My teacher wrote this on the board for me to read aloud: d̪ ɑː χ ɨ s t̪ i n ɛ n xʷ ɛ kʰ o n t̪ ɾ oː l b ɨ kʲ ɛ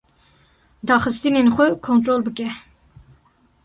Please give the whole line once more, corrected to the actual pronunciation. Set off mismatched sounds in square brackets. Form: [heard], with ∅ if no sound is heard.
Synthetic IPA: d̪ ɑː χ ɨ s t̪ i n [e] n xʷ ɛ kʰ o n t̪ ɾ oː l b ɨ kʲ ɛ